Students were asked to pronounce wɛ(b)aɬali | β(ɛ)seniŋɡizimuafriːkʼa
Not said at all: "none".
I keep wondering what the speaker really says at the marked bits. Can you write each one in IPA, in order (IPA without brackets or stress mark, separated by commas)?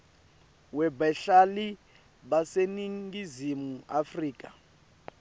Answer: b, a